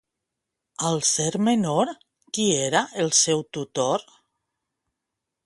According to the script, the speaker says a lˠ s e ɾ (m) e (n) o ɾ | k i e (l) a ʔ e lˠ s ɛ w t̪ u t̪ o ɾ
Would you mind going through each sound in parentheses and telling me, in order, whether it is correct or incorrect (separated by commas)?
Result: correct, correct, incorrect